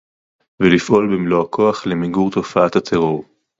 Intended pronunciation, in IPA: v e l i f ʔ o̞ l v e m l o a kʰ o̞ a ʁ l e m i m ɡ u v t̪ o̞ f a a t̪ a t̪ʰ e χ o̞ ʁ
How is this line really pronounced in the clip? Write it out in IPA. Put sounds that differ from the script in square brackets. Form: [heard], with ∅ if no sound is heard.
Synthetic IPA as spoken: v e l i f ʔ o̞ l [b] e m l o a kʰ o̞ a [χ] l e m i [∅] ɡ u [ʁ] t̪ o̞ f a a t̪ a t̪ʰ e [ʁ] o̞ ʁ